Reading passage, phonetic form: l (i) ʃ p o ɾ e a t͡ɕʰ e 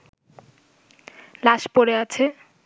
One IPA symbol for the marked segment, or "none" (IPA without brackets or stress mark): a